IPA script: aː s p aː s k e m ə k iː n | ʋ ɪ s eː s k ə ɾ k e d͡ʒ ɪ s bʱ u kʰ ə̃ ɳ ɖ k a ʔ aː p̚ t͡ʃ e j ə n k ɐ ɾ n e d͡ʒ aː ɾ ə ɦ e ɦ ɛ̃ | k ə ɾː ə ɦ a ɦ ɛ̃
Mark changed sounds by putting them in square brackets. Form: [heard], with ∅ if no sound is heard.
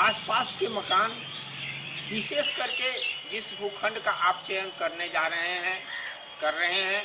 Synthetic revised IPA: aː s p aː s k e m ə k [aː] n | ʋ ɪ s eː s k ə ɾ k e d͡ʒ ɪ s bʱ u kʰ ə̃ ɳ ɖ k a ʔ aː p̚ t͡ʃ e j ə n k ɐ ɾ n e d͡ʒ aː ɾ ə ɦ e ɦ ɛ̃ | k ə ɾː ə ɦ [e] ɦ ɛ̃